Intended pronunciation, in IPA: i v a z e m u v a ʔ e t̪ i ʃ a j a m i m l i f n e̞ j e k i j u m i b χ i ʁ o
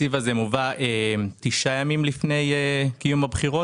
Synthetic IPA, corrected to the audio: i v a z e m u v a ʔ e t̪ i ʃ a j a m i m l i f n e̞ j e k i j u m a b χ i ʁ o